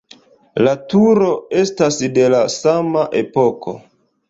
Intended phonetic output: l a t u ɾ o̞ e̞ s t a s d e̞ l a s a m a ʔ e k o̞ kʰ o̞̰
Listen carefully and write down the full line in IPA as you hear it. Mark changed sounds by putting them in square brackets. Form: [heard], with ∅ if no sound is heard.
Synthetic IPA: l a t u ɾ o̞ e̞ s t a s d e̞ l a s a m a ʔ e [p] o̞ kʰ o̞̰